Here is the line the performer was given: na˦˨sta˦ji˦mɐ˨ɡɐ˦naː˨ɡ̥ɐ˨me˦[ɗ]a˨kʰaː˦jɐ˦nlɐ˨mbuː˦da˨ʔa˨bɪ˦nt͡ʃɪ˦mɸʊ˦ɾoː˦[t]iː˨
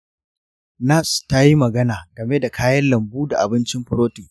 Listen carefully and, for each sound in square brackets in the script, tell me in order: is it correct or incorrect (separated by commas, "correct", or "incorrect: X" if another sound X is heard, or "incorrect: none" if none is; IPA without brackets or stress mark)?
incorrect: d, correct